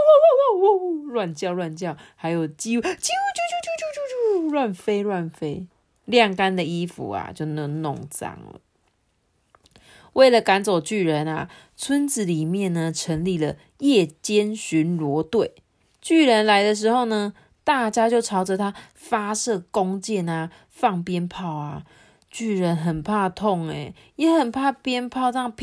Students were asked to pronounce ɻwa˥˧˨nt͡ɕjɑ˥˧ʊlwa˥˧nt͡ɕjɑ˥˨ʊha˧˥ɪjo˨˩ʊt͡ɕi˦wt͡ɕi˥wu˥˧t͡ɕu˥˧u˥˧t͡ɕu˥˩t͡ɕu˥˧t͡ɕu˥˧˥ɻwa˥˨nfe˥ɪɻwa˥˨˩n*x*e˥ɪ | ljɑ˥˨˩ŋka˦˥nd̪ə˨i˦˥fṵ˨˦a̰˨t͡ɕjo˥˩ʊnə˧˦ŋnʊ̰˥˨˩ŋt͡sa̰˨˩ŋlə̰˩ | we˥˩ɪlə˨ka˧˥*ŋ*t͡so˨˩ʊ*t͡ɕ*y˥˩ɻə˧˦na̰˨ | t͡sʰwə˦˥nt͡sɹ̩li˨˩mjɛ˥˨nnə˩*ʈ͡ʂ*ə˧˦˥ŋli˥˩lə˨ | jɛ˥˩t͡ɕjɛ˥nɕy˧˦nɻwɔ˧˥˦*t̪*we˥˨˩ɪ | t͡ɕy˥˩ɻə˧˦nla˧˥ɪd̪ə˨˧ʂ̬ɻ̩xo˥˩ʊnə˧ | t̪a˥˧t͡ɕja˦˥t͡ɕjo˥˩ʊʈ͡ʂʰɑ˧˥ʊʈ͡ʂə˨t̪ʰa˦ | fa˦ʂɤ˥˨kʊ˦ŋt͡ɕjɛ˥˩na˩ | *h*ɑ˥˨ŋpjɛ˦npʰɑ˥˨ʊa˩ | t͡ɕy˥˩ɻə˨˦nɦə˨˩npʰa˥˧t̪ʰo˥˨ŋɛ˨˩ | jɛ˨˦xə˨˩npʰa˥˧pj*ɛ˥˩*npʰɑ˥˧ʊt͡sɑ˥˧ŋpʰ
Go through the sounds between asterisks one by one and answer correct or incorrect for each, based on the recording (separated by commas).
incorrect, incorrect, correct, incorrect, correct, incorrect, incorrect